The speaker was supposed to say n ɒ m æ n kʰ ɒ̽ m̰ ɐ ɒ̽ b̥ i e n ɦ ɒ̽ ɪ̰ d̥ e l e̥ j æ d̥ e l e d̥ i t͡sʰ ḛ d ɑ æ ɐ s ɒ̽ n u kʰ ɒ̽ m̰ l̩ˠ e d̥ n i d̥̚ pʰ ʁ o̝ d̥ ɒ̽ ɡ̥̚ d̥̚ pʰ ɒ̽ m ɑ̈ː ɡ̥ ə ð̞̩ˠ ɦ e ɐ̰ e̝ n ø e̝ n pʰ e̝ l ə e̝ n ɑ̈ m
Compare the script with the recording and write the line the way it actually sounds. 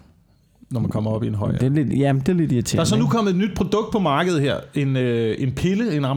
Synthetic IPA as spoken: n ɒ m æ n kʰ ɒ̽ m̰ ɐ ɒ̽ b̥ i e n ɦ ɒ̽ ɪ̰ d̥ e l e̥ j æ d̥ e l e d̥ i t͡sʰ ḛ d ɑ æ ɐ s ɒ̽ n u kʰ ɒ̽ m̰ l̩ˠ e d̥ n y d̥̚ pʰ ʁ o̝ d̥ ɔ̽ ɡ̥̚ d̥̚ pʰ ɒ̽ m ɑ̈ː ɡ̥ ə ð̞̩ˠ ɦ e ɐ̰ e̝ n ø e̝ n pʰ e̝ l ə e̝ n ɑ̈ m